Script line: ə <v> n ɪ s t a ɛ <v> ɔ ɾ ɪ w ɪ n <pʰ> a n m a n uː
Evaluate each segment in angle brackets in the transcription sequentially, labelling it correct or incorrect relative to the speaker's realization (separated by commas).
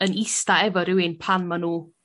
incorrect, correct, correct